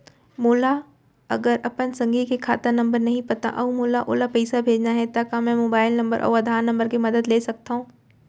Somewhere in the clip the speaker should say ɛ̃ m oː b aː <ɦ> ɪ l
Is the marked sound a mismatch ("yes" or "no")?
yes